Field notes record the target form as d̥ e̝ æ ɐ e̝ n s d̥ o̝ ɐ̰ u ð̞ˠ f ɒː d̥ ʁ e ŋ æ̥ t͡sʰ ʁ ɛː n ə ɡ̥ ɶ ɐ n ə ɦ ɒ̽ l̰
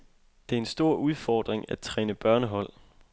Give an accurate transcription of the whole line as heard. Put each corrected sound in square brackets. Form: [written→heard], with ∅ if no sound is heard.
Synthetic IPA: d̥ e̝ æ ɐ e̝ n s d̥ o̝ ɐ̰ u ð̞ˠ f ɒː d̥ ʁ e ŋ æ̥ t͡sʰ ʁ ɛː n ə [ɡ̥→b̥] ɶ ɐ n ə ɦ ɒ̽ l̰